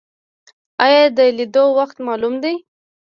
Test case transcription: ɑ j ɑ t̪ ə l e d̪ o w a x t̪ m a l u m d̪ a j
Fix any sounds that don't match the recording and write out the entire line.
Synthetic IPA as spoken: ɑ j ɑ d̪ ə l i d̪ o w a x t̪ m ɑ l u m d̪ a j